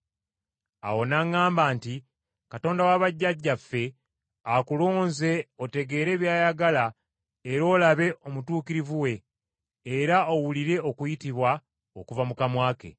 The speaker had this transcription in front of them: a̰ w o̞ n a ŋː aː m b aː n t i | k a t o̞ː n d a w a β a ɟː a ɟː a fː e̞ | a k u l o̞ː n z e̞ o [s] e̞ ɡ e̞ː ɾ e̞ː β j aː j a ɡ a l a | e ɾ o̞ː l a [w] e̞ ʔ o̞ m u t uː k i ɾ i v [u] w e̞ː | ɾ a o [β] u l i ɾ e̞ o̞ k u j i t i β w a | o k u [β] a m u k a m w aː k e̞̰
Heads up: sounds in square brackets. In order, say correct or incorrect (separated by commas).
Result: incorrect, incorrect, correct, incorrect, incorrect